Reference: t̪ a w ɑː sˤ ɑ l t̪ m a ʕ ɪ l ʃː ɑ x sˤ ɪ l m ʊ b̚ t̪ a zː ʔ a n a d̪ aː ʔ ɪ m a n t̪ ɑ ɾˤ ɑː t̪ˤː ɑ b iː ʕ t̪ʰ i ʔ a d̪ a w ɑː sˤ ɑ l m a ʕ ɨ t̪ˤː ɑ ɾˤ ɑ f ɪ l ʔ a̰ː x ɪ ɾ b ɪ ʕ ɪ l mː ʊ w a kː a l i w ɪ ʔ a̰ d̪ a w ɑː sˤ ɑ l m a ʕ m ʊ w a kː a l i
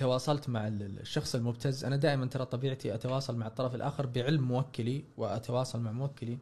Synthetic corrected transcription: t̪ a w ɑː sˤ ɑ l t̪ m a ʕ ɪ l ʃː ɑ x sˤ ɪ l m ʊ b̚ t̪ a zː ʔ a n a d̪ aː ʔ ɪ m a n t̪ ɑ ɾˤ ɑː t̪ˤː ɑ b iː ʕ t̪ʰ i ʔ a t̪ a w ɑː sˤ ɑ l m a ʕ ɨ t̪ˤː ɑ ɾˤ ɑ f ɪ l ʔ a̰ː x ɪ ɾ b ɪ ʕ ɪ l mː ʊ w a kː a l i w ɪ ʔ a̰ t̪ a w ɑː sˤ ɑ l m a ʕ m ʊ w a kː a l i